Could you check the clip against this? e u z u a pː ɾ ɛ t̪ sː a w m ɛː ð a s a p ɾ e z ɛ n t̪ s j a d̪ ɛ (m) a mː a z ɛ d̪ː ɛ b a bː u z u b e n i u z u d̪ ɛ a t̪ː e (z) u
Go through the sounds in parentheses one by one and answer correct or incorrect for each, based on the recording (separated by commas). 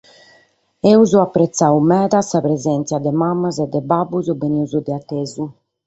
correct, correct